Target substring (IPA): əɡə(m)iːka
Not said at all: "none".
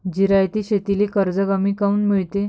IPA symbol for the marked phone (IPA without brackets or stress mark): m